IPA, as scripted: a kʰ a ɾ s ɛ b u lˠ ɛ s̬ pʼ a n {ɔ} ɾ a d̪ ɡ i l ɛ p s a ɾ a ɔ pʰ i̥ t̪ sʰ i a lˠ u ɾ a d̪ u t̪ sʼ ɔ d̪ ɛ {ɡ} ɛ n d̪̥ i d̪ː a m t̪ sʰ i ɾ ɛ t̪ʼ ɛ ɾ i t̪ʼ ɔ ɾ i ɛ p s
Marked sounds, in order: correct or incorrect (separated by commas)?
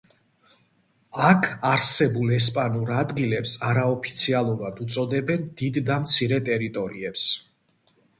incorrect, incorrect